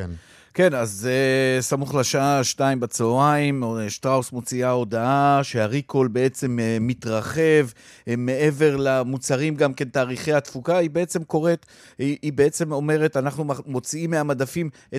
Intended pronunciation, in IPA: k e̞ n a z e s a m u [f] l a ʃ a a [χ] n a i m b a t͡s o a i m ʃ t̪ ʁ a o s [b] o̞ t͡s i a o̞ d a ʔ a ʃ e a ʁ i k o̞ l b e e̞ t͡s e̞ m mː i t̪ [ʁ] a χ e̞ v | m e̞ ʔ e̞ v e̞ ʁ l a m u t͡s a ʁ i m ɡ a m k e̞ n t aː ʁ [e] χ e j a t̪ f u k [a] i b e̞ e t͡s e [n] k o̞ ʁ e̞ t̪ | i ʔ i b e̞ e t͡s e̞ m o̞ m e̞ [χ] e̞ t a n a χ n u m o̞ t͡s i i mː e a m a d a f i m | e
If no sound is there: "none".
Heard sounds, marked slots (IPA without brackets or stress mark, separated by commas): χ, ʃ, m, ʁ, i, a, m, ʁ